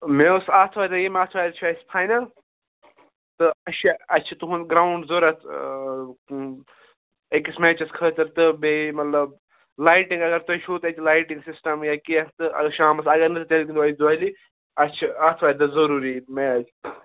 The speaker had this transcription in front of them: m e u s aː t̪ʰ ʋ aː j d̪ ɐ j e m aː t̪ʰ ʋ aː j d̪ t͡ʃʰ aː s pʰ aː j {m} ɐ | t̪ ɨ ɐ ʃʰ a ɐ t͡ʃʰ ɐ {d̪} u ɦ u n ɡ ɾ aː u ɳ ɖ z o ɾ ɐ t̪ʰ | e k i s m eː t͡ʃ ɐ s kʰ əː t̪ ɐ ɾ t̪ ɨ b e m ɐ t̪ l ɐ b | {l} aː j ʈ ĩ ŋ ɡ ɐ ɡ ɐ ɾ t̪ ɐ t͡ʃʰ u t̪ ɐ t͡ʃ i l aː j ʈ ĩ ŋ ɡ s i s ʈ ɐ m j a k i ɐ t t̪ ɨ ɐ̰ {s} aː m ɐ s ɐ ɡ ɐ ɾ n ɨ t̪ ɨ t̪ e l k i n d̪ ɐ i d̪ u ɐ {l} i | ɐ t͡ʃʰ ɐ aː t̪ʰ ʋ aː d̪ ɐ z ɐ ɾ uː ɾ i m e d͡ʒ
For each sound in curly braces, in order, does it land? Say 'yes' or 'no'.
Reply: no, no, yes, no, yes

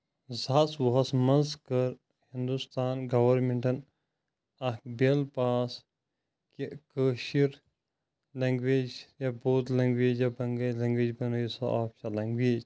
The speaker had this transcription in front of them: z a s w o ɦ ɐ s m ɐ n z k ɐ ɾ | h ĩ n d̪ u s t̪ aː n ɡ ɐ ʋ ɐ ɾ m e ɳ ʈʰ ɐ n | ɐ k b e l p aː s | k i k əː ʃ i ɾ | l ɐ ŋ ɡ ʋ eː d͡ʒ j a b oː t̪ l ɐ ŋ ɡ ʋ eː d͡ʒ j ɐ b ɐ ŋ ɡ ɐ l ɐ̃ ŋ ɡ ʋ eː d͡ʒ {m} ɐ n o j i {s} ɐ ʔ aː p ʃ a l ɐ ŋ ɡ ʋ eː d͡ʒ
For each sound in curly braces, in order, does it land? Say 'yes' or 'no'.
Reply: no, yes

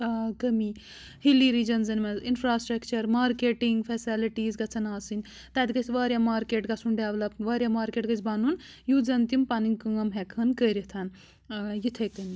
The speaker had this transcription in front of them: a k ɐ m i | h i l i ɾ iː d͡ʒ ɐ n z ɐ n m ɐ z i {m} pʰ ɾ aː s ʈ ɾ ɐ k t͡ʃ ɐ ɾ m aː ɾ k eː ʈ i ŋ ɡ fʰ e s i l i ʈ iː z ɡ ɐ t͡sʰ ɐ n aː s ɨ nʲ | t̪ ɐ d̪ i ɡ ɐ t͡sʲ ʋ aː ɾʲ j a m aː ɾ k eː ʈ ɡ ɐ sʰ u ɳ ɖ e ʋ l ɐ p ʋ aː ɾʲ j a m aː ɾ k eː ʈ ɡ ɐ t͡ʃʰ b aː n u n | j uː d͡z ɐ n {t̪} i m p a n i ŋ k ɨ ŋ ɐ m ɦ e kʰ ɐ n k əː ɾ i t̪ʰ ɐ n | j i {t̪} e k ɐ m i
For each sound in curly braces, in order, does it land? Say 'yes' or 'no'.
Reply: no, yes, no

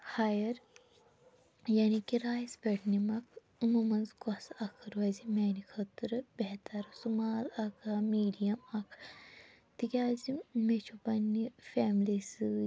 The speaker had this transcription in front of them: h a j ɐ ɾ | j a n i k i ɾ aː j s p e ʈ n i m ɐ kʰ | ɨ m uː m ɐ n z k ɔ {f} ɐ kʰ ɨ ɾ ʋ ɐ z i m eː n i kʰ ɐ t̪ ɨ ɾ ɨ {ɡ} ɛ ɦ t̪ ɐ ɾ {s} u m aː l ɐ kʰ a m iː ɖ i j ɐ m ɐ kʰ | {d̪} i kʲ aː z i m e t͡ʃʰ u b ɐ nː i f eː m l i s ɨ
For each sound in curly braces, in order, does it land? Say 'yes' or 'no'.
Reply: no, no, yes, no

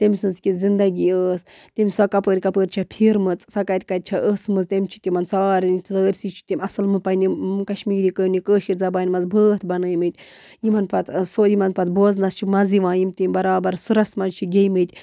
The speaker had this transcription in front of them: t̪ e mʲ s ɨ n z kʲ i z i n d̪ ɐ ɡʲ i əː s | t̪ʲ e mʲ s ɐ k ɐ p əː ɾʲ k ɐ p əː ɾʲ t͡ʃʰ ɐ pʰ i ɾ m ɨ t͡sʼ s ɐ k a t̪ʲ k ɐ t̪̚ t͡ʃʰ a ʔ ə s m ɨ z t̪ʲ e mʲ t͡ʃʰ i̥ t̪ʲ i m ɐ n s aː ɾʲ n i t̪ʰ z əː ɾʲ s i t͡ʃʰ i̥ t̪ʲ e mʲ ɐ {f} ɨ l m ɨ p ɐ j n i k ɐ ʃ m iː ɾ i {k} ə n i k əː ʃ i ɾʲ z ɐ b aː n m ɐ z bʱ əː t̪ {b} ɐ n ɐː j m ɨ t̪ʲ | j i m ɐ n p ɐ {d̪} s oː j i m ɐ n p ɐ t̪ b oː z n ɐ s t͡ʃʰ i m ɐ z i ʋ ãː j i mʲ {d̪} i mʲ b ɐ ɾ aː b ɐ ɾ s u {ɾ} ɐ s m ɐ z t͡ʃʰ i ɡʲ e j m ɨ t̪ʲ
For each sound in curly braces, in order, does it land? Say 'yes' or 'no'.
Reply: no, yes, yes, no, no, yes

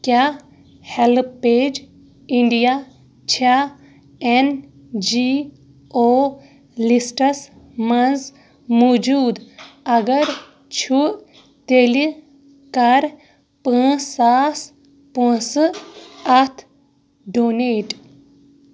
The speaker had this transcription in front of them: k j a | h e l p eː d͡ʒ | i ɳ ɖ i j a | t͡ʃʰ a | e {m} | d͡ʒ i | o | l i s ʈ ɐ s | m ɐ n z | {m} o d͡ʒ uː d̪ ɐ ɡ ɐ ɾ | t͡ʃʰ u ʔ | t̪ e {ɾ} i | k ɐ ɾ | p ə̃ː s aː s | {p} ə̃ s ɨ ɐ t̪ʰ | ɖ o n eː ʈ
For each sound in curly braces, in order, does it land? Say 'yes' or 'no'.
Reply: no, yes, no, yes

